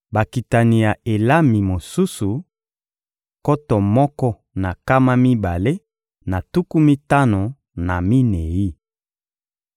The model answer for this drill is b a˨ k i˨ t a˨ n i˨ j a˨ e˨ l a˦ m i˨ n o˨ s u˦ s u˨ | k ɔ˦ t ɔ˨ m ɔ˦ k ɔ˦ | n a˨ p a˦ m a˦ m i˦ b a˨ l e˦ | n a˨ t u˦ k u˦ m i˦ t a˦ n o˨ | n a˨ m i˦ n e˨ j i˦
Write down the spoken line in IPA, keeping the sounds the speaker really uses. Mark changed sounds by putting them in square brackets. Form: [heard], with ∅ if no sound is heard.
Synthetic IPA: b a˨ k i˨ t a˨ n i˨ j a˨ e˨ l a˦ m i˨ [m] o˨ s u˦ s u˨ | k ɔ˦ t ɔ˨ m ɔ˦ k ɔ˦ | n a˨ [k] a˦ m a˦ m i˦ b a˨ l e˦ | n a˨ t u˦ k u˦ m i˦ t a˦ n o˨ | n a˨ m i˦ n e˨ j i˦